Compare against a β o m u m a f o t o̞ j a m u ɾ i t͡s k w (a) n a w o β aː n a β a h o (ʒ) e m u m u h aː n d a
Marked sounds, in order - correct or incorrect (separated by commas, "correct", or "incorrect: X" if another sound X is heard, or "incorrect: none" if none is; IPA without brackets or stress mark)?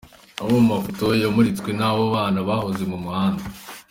incorrect: e, incorrect: z